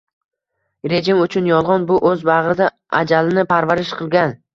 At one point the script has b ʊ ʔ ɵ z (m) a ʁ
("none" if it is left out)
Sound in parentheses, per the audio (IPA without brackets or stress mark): b